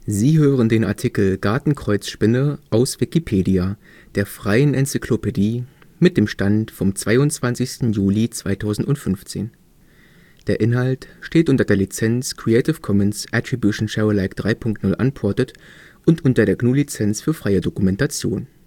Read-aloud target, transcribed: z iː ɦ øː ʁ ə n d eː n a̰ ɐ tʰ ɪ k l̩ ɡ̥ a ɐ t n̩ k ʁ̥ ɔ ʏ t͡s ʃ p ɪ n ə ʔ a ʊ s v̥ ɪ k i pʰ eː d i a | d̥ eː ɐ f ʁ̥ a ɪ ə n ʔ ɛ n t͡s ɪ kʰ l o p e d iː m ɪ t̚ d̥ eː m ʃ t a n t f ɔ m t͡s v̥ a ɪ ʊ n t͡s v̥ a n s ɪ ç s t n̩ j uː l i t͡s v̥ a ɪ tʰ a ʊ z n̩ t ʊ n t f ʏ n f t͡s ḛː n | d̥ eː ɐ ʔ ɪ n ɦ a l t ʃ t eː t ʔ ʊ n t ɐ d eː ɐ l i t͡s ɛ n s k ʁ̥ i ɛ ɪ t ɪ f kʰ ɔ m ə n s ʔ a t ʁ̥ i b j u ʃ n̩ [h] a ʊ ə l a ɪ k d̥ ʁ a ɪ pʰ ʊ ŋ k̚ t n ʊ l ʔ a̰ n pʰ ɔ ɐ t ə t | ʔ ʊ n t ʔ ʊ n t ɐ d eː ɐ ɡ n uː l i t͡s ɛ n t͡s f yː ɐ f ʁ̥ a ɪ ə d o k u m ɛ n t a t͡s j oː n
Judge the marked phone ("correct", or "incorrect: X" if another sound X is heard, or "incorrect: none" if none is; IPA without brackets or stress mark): incorrect: ʃ